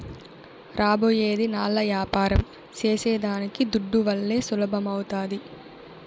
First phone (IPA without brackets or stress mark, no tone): ɾ